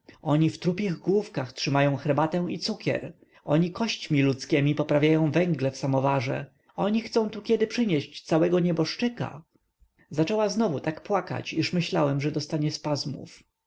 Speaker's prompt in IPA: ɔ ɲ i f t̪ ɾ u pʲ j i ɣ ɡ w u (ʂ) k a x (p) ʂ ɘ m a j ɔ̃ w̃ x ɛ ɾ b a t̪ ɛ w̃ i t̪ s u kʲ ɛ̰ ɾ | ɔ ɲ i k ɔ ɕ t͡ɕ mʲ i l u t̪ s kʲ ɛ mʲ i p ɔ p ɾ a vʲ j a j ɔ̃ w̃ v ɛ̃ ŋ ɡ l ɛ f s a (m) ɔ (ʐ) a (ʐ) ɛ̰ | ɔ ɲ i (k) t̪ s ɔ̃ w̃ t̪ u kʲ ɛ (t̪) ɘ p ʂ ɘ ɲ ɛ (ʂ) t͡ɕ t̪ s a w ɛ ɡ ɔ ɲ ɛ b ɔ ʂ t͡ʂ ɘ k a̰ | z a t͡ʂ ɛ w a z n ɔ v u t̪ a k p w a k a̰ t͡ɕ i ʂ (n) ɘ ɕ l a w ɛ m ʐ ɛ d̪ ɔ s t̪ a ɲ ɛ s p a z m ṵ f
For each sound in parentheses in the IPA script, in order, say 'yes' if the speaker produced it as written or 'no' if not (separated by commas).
no, no, yes, no, yes, no, no, no, no